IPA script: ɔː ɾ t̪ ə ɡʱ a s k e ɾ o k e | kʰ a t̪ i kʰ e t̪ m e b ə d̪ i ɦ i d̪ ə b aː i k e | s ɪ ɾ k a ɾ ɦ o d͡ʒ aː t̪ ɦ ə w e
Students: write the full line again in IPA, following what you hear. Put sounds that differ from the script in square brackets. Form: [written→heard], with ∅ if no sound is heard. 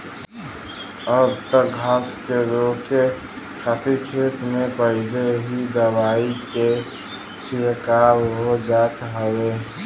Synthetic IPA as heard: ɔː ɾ t̪ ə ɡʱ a s k e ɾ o k e | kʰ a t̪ i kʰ e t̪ m e [b→p] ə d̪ [i→e] ɦ i d̪ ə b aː i k e | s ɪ ɾ k a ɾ ɦ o d͡ʒ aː t̪ ɦ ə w e